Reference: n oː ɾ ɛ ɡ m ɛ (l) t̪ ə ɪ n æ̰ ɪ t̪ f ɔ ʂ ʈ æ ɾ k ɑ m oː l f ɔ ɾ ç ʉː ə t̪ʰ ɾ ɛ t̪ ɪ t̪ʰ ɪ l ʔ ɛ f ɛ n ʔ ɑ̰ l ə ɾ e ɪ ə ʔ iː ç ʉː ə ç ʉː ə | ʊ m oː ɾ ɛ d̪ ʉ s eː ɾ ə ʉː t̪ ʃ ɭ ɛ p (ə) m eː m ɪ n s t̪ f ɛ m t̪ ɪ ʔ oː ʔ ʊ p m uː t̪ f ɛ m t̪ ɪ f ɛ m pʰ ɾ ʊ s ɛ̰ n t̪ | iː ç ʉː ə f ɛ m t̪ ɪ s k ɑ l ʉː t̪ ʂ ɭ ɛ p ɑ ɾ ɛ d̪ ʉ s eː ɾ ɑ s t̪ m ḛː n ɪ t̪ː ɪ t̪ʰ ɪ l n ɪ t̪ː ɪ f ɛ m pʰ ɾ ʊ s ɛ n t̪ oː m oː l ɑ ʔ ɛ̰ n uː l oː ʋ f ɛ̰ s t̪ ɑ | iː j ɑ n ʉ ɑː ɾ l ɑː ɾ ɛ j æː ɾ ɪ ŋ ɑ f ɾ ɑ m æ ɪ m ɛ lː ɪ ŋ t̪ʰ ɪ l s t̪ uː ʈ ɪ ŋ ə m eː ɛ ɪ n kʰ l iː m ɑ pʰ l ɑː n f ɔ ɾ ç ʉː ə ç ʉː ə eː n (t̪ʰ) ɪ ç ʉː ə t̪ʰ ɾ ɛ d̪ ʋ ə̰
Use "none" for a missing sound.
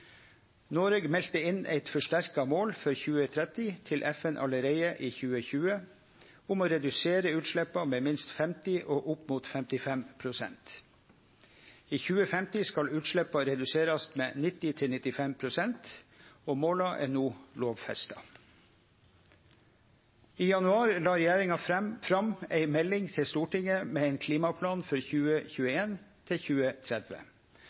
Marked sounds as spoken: l, ɑ, t̪ʰ

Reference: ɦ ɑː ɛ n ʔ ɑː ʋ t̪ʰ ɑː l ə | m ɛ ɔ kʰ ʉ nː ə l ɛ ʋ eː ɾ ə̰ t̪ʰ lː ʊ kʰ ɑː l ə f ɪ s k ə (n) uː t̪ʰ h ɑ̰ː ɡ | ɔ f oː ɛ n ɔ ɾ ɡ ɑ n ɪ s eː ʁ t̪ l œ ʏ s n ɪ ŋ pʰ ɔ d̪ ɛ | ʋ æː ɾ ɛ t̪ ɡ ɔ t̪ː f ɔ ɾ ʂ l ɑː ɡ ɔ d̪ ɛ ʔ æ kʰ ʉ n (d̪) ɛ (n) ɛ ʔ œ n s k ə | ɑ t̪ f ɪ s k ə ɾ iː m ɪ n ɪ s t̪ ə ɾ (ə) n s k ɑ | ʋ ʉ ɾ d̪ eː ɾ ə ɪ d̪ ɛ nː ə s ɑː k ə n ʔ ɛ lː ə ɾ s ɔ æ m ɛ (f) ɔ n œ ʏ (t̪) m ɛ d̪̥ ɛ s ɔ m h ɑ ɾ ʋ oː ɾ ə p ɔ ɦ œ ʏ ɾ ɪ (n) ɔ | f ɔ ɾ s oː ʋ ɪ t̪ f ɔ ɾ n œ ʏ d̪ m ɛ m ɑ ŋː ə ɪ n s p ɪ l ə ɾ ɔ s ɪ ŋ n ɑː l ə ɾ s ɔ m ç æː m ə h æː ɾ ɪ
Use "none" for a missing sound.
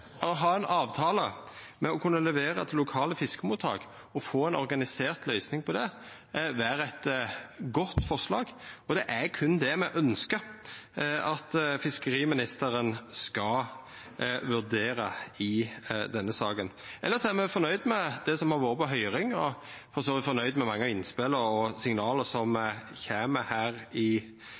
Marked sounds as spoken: m, d̪, m, ə, f, d̪, ŋ

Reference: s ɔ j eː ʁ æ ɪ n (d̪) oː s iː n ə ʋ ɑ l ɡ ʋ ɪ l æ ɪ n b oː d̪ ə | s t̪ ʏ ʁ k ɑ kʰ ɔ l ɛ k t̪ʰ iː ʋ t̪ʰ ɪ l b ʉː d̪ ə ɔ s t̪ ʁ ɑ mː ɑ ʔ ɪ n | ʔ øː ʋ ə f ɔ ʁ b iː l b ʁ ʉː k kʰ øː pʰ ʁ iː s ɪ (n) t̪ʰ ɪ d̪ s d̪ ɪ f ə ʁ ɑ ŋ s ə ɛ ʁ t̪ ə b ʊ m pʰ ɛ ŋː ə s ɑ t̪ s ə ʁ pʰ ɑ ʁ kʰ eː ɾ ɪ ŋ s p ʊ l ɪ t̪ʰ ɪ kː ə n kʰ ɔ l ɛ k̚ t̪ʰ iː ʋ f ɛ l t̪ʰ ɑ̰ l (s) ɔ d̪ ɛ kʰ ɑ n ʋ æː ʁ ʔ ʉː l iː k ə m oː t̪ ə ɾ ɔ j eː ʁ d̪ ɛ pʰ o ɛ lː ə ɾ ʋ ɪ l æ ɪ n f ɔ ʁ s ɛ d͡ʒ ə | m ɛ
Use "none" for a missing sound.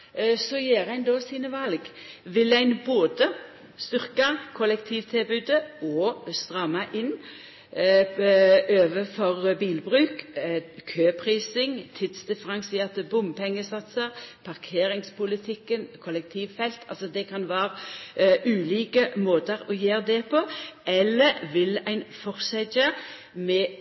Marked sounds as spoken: d̪, ŋ, s

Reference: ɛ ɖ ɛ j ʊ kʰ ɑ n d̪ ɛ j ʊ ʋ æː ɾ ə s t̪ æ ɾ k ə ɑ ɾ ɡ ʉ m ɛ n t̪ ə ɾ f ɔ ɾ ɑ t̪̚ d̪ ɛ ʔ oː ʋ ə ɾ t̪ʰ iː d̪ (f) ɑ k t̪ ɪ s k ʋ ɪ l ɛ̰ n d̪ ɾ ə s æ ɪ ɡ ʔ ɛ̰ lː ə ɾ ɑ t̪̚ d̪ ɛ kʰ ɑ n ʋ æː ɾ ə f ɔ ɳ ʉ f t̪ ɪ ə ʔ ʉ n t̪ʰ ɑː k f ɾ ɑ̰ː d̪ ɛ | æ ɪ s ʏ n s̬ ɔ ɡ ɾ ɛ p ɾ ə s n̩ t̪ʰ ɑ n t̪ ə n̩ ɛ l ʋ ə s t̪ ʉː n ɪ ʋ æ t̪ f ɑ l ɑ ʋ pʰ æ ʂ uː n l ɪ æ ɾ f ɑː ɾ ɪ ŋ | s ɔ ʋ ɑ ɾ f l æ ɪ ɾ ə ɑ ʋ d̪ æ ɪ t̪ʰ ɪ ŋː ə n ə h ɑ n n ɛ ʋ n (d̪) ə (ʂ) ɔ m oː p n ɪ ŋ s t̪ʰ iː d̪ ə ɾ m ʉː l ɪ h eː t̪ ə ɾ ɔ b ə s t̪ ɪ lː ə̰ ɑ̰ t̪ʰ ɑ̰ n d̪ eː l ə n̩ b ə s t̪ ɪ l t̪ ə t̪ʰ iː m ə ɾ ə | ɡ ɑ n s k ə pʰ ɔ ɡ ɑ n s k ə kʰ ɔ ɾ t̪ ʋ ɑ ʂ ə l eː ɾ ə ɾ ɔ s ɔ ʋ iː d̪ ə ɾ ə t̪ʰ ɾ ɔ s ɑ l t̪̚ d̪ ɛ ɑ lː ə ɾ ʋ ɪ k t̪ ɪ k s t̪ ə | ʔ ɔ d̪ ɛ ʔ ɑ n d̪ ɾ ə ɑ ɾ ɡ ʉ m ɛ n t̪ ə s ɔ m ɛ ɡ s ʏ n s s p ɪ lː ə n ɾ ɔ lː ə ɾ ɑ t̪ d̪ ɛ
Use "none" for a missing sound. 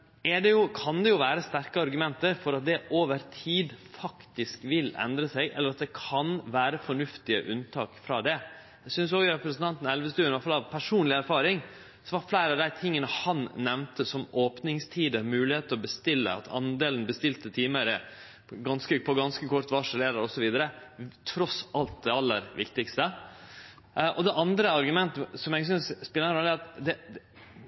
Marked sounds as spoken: f, t̪, s

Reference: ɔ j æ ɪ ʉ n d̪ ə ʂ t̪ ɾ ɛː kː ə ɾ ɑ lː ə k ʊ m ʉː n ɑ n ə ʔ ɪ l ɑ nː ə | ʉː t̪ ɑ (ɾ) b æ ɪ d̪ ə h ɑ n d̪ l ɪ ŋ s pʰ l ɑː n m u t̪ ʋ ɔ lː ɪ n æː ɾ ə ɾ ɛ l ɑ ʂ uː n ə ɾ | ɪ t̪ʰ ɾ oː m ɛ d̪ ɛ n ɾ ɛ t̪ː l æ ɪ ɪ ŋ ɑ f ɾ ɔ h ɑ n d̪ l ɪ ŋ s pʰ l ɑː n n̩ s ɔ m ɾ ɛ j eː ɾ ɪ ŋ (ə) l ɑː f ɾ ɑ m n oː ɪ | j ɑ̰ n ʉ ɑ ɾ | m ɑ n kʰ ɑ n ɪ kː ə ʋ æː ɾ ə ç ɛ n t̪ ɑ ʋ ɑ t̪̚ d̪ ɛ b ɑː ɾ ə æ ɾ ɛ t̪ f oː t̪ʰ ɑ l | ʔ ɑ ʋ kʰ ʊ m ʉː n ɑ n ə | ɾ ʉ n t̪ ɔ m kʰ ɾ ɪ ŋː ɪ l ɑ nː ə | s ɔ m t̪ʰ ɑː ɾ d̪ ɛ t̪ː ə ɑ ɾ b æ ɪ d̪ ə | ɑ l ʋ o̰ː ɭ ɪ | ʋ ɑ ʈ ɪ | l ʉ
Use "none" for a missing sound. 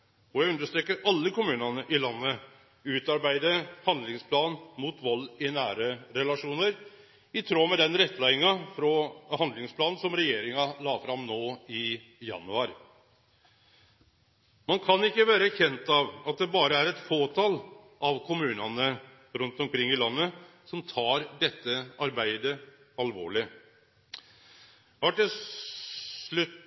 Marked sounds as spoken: ɾ, ɑ

